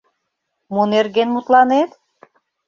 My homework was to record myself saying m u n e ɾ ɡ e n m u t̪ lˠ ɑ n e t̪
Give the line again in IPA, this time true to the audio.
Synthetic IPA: m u n e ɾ ɡ e n m u t̪ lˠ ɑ n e t̪